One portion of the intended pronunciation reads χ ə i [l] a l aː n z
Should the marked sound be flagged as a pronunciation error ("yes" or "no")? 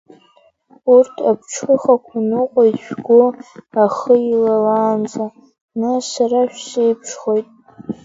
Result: no